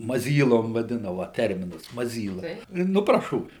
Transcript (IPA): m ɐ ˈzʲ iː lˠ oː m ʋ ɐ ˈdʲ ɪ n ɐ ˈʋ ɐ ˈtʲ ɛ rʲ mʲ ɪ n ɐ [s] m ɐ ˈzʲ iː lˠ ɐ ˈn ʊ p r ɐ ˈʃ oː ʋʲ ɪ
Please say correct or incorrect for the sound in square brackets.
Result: correct